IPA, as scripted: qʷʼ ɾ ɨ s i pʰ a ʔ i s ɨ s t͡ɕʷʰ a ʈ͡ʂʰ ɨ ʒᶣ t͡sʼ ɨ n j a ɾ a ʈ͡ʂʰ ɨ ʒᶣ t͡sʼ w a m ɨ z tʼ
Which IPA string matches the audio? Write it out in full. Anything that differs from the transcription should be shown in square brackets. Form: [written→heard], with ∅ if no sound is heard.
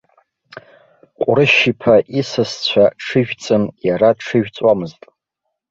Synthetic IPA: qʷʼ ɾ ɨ [s→ʃ] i pʰ a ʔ i s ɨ s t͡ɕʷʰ a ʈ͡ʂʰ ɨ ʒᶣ t͡sʼ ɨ [n→m] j a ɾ a ʈ͡ʂʰ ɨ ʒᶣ t͡sʼ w a m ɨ z tʼ